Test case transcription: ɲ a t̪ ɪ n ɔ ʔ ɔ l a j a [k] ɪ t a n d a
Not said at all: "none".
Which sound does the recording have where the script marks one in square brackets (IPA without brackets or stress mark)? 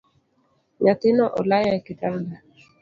k